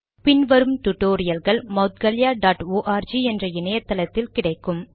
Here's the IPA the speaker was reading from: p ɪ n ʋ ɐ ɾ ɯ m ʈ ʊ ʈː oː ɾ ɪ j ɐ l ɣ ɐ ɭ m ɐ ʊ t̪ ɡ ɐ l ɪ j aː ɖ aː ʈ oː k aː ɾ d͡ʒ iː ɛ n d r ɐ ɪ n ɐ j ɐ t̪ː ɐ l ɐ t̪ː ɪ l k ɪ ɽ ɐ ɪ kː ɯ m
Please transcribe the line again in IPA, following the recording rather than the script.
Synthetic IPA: p ɪ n ʋ ɐ ɾ ɯ m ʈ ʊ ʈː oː ɾ ɪ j ɐ l ɣ ɐ ɭ m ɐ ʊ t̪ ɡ ɐ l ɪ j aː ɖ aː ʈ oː ʔ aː ɾ d͡ʒ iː ɛ n d r ɐ ɪ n ɐ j ɐ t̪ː ɐ l ɐ t̪ː ɪ l k ɪ ɽ ɐ ɪ kː ɯ m